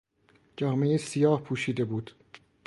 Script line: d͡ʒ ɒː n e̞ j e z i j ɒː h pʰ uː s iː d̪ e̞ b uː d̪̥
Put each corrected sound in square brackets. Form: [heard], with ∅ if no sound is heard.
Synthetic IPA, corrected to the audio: d͡ʒ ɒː [m] e̞ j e [s] i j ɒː h pʰ uː [ʃ] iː d̪ e̞ b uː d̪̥